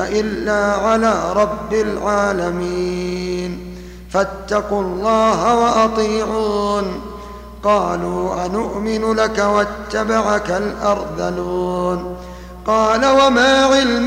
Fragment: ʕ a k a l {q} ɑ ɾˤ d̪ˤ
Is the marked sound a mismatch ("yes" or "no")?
yes